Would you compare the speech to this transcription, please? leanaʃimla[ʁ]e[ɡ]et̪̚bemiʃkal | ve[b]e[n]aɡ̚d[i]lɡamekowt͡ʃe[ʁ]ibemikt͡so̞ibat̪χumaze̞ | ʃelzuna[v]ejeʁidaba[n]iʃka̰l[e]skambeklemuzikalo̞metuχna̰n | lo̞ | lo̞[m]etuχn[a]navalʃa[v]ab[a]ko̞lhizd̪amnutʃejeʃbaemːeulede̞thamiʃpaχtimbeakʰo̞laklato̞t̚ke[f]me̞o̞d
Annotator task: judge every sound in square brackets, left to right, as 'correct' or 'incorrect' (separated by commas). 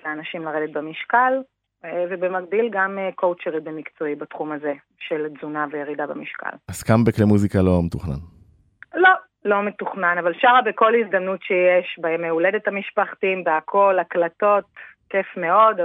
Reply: correct, incorrect, correct, incorrect, correct, correct, correct, incorrect, incorrect, correct, correct, incorrect, incorrect, correct